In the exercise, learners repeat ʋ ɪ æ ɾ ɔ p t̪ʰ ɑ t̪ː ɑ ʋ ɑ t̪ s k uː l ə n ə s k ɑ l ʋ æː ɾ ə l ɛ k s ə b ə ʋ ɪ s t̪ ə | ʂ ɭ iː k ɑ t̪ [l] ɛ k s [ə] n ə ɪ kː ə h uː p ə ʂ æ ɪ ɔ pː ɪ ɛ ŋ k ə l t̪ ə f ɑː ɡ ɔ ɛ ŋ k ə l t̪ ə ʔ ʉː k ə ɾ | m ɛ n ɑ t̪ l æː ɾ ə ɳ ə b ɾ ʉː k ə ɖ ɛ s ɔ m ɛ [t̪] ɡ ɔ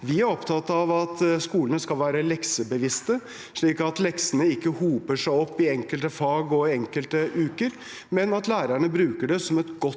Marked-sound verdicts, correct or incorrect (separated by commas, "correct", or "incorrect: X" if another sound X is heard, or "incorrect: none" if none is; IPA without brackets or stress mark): correct, correct, correct